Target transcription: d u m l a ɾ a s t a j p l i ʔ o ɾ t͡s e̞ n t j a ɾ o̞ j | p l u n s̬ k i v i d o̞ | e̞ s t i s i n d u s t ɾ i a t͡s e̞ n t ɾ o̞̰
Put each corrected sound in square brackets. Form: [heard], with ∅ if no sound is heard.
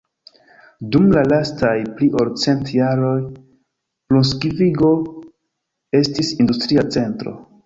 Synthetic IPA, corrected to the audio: d u m l a [l] a s t a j p l i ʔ o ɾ t͡s e̞ n t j a ɾ o̞ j | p l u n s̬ k i v i [ɡ] o̞ | e̞ s t i s i n d u s t ɾ i a t͡s e̞ n t ɾ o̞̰

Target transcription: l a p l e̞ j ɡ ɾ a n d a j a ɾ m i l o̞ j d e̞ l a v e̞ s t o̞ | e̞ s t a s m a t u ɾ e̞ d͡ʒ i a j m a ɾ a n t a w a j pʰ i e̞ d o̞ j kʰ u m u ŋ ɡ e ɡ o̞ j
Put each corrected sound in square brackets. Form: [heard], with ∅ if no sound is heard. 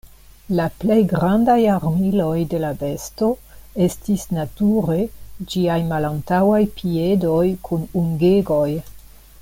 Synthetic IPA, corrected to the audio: l a p l e̞ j ɡ ɾ a n d a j a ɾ m i l o̞ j d e̞ l a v e̞ s t o̞ | e̞ s t [i] s [n] a t u ɾ e̞ d͡ʒ i a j m a [l] a n t a w a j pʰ i e̞ d o̞ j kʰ u [n] u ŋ ɡ e ɡ o̞ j

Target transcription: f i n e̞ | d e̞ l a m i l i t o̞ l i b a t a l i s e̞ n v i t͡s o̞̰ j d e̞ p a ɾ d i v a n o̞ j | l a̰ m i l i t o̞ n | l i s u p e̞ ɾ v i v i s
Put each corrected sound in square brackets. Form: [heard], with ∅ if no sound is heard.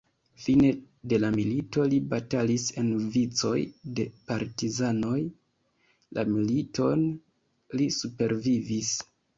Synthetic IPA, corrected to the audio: f i n e̞ | d e̞ l a m i l i t o̞ l i b a t a l i s e̞ n v i t͡s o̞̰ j d e̞ p a ɾ [t] i [z] a n o̞ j | l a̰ m i l i t o̞ n | l i s u p e̞ ɾ v i v i s

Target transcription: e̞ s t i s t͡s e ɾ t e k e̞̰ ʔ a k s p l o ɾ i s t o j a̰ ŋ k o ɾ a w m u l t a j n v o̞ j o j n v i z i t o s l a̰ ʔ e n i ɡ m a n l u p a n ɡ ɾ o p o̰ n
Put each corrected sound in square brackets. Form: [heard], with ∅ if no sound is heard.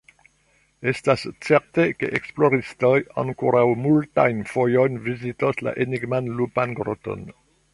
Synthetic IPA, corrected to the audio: e̞ s t [a] s t͡s e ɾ t e k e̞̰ ʔ [e] k s p l o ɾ i s t o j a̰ ŋ k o ɾ a w m u l t a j n [f] o̞ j o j n v i z i t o s l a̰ ʔ e n i ɡ m a n l u p a n ɡ ɾ o [t] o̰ n

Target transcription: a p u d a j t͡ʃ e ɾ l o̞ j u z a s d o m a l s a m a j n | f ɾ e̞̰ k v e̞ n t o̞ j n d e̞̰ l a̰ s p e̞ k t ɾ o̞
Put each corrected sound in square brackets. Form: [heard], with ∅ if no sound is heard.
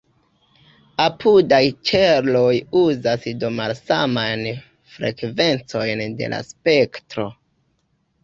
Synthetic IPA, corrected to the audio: a p u d a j t͡ʃ e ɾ l o̞ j u z a s d o m a l s a m a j n | f ɾ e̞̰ k v e̞ n [t͡s] o̞ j n d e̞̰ l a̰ s p e̞ k t ɾ o̞

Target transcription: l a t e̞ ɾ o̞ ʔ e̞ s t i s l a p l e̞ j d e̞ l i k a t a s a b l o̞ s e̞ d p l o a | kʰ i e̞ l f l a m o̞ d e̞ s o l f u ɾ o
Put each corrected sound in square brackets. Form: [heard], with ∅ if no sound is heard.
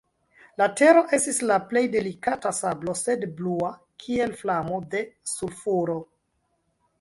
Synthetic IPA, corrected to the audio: l a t e̞ ɾ o̞ ʔ e̞ s t i s l a p l e̞ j d e̞ l i k a t a s a b l o̞ s e̞ d [b] l [u] a | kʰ i e̞ l f l a m o̞ d e̞ s [u] l f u ɾ o

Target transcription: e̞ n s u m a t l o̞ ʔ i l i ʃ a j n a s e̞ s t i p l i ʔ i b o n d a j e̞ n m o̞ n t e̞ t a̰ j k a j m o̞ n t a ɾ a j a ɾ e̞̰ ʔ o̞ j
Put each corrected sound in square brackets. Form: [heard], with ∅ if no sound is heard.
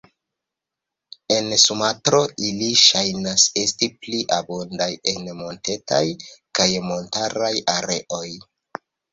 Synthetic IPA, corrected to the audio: e̞ n s u m a t [ɾ] o̞ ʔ i l i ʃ a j n a s e̞ s t i p l i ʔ [a] b o n d a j e̞ n m o̞ n t e̞ t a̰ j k a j m o̞ n t a ɾ a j a ɾ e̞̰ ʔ o̞ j

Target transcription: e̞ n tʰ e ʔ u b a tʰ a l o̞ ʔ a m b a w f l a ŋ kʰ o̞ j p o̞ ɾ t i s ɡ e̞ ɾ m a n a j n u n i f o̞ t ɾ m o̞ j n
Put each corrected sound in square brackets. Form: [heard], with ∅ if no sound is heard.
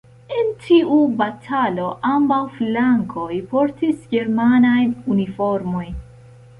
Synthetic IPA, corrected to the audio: e̞ n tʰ [i] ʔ u b a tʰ a l o̞ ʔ a m b a w f l a ŋ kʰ o̞ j p o̞ ɾ t i s ɡ e̞ ɾ m a n a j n u n i f o̞ [∅] ɾ m o̞ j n

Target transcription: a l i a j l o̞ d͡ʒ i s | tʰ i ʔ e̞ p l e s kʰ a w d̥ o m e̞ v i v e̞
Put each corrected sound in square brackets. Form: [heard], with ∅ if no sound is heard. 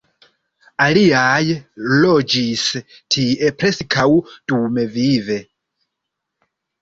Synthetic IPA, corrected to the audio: a l i a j l o̞ d͡ʒ i s | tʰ i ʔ e̞ p [ɾ] e s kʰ a w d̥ [u] m e̞ v i v e̞

